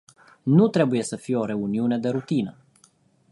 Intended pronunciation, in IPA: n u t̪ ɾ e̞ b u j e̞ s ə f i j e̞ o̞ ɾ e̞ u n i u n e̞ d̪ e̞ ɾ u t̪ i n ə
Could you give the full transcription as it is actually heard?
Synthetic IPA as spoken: n u t̪ ɾ e̞ b u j e̞ s ə f i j e̞ o̞ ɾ e̞ u n i u n e̞ d̪ e̞ ɾ u t̪ i n ə